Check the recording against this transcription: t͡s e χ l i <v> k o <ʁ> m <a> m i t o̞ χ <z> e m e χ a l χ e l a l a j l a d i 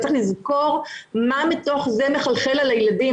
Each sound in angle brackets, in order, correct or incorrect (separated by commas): incorrect, correct, correct, correct